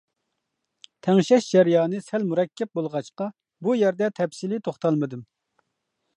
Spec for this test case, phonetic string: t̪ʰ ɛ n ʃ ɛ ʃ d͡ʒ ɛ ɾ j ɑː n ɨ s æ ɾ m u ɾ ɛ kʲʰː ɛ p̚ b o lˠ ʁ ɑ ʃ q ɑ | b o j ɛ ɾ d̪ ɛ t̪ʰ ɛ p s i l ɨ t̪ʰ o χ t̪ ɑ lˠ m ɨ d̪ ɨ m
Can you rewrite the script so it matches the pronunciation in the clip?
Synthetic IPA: t̪ʰ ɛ ŋ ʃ ɛ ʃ d͡ʒ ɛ ɾ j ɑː n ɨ s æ l m u ɾ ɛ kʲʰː ɛ p̚ b o lˠ ʁ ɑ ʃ q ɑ | b u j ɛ ɾ d̪ ɛ t̪ʰ ɛ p s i l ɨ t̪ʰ o χ t̪ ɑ lˠ m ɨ d̪ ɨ m